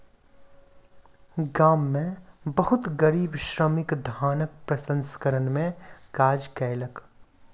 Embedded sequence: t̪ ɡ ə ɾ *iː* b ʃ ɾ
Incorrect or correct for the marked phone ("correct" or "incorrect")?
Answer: correct